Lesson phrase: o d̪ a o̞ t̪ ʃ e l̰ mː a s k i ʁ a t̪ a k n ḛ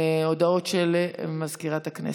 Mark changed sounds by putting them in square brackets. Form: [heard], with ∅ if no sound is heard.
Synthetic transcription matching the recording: o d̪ a o̞ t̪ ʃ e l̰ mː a [z] k i ʁ a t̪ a k n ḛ